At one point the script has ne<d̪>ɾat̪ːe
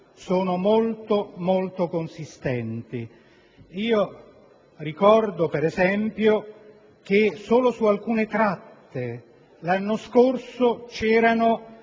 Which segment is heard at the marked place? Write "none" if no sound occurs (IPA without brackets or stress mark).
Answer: t̪